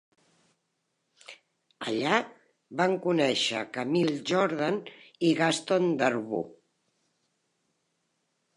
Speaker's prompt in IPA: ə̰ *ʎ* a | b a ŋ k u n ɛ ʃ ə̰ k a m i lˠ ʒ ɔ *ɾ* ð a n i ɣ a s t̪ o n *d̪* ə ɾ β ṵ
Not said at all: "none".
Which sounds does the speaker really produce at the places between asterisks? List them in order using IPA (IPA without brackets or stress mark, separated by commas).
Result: ʎ, ɾ, d̪